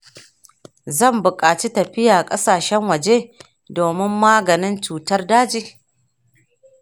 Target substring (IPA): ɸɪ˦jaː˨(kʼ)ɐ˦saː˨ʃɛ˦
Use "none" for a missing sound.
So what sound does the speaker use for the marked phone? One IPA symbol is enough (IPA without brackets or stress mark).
kʼ